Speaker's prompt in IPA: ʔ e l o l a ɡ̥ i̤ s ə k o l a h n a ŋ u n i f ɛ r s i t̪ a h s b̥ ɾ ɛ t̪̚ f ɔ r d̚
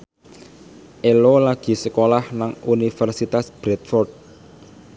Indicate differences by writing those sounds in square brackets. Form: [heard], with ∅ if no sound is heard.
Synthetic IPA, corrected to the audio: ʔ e l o l a ɡ̥ i̤ s ə k o l a h n a ŋ u n i f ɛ r s i t̪ a [∅] s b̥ ɾ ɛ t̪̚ f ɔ r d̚